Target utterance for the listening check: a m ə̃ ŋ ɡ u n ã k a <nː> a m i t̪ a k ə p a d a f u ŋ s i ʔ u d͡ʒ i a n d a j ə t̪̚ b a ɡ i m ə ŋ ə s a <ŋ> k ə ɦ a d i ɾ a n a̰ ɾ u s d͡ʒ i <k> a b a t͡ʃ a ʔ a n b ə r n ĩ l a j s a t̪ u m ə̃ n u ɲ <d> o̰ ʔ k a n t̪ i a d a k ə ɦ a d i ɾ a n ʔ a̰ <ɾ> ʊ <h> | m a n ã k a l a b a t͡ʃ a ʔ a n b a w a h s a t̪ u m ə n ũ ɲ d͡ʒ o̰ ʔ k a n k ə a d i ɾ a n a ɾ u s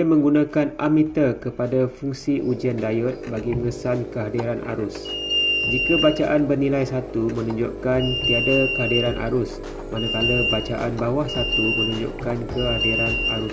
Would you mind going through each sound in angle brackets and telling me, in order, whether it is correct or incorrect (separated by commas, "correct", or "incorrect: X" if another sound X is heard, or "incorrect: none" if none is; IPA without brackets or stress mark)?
incorrect: n, incorrect: n, correct, incorrect: d͡ʒ, correct, incorrect: s